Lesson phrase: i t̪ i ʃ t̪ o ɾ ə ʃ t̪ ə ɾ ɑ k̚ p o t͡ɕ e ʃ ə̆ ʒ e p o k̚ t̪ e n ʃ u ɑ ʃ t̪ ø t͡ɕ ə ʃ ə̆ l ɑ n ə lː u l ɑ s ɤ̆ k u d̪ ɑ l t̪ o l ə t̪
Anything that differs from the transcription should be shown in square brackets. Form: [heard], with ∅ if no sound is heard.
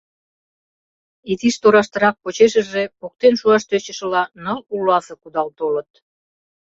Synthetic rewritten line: i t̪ i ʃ t̪ o ɾ [ɑ] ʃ t̪ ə ɾ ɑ k̚ p o t͡ɕ e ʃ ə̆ ʒ e p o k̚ t̪ e n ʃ u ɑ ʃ t̪ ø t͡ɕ ə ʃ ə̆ l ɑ n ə [l] u l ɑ s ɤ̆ k u d̪ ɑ l t̪ o l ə t̪